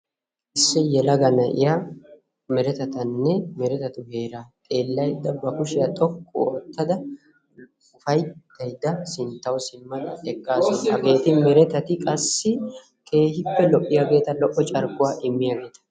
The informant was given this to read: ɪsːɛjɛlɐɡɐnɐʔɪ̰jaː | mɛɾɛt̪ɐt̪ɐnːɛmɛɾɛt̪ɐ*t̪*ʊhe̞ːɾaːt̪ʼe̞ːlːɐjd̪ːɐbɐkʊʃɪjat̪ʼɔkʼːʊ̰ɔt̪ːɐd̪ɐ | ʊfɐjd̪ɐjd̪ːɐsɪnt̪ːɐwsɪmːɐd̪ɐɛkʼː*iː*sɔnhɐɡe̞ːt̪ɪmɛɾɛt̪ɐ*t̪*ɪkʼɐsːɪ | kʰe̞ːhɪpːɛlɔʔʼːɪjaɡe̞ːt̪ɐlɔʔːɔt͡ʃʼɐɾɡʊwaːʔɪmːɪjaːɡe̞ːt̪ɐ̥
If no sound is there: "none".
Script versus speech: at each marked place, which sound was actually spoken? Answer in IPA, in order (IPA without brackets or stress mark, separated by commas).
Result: t̪, aː, t̪